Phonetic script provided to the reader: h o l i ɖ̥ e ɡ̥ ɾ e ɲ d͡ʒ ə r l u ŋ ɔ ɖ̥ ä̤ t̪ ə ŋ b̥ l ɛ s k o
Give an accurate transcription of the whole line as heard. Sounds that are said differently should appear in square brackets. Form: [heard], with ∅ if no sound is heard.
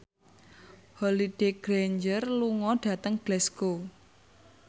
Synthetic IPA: h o l i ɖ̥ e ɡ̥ ɾ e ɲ d͡ʒ ə r l u ŋ ɔ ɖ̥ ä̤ t̪ ə ŋ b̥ l ɛ s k o